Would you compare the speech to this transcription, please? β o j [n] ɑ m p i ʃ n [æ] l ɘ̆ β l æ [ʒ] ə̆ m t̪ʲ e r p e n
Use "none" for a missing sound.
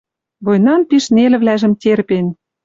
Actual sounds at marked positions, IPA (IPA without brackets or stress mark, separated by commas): n, e, ʒ